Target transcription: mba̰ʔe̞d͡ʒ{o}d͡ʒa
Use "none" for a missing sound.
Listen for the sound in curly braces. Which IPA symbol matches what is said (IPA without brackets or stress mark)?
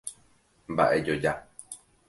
o